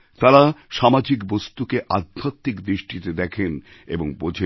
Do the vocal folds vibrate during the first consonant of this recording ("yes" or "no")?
no